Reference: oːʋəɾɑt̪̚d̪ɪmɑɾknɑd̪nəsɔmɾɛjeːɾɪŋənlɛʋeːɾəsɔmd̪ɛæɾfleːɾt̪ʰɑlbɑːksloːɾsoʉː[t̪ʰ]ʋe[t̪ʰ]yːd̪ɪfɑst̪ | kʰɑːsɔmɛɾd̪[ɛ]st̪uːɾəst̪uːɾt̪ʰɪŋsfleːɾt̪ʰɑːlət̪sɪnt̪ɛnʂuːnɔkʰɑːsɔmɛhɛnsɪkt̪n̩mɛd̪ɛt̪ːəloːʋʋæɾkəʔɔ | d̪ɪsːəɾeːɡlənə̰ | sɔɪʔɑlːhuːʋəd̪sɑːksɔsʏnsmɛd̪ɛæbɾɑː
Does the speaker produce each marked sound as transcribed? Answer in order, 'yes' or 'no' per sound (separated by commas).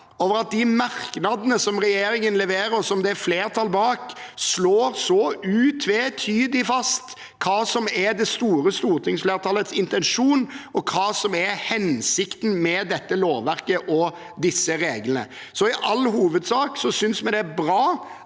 yes, yes, yes